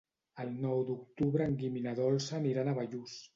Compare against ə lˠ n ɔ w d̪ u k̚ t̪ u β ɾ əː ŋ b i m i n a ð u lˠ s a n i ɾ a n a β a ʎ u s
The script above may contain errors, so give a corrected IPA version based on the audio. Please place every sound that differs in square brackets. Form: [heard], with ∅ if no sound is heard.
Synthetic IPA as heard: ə lˠ n ɔ w d̪ u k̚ t̪ u β ɾ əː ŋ [ɡ] i m i n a ð [ɔ] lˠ s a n i ɾ a n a β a ʎ u s